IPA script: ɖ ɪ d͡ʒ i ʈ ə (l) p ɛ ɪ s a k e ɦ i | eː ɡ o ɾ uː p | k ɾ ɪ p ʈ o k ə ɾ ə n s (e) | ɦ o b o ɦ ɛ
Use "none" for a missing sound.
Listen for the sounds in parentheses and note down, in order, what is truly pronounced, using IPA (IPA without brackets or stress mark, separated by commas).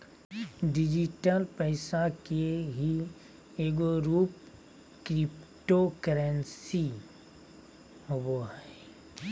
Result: l, i